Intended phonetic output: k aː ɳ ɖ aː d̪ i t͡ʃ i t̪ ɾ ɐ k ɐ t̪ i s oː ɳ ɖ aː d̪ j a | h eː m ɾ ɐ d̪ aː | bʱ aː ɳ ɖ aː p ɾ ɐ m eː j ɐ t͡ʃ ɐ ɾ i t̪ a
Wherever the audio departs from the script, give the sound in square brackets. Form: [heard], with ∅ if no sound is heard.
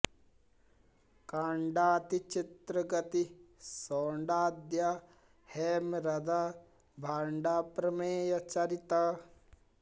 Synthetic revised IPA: k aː ɳ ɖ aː [t̪] i t͡ʃ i t̪ ɾ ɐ [ɡ] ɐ t̪ i s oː ɳ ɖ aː d̪ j a | h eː m ɾ ɐ d̪ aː | bʱ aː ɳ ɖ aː p ɾ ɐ m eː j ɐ t͡ʃ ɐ ɾ i t̪ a